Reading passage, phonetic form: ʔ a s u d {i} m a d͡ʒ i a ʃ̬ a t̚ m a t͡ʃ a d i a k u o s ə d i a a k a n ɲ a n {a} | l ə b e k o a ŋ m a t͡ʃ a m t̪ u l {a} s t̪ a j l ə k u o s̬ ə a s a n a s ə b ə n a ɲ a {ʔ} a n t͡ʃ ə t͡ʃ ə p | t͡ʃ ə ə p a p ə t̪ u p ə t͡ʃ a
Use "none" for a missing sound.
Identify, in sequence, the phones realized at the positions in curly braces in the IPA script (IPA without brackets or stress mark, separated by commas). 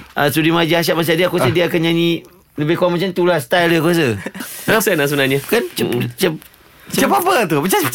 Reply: i, i, a, k